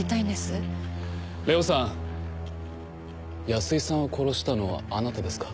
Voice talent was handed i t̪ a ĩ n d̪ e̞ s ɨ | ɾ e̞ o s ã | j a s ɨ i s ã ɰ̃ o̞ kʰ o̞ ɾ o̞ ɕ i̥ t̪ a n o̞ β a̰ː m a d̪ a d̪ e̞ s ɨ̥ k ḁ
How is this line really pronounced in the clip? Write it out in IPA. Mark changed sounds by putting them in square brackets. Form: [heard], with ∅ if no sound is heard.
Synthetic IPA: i t̪ a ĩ n d̪ e̞ s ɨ | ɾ e̞ o s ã | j a s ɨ i s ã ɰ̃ o̞ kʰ o̞ ɾ o̞ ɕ i̥ t̪ a n o̞ β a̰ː [n] a [t̪] a d̪ e̞ s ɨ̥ k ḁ